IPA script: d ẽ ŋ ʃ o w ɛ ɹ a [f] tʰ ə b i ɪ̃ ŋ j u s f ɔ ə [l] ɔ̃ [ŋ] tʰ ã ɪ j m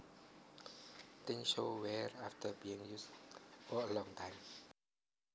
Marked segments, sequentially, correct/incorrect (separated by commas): correct, correct, correct